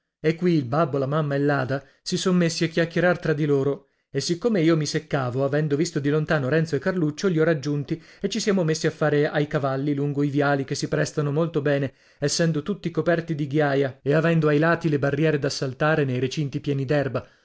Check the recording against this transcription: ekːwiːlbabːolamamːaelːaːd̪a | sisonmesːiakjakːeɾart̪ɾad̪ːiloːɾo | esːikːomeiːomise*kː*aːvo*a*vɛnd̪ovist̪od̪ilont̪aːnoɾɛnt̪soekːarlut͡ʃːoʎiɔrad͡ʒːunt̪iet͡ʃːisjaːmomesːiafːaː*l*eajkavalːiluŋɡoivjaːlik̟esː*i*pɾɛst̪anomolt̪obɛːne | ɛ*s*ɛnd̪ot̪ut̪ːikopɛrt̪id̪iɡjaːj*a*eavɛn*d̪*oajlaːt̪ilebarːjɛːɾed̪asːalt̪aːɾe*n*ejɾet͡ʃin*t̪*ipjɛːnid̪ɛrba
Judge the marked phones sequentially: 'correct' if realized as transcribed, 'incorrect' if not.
correct, correct, incorrect, correct, incorrect, correct, correct, correct, correct

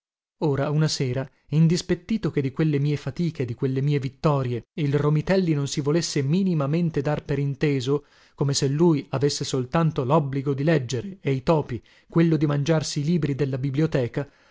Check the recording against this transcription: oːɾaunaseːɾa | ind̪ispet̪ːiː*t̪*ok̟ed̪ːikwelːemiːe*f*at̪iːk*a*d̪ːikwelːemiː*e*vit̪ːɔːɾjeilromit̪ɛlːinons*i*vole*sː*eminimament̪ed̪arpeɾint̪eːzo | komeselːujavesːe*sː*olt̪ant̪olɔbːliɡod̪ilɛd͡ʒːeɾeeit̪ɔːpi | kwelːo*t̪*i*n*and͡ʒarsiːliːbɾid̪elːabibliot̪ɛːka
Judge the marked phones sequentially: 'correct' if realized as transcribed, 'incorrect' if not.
correct, correct, incorrect, correct, correct, correct, incorrect, incorrect, incorrect

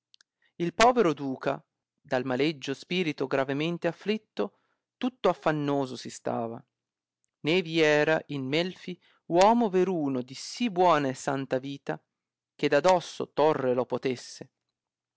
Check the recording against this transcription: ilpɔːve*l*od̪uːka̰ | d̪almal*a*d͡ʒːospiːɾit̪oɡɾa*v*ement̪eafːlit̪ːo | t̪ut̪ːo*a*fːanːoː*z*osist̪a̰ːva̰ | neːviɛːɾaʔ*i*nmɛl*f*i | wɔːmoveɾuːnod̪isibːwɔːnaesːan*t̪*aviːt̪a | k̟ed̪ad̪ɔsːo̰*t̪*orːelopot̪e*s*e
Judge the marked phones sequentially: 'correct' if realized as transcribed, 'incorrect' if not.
incorrect, incorrect, correct, correct, correct, correct, correct, correct, correct, incorrect

